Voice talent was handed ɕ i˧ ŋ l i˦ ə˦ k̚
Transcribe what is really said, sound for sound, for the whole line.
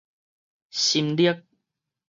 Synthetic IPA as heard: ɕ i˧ m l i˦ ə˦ k̚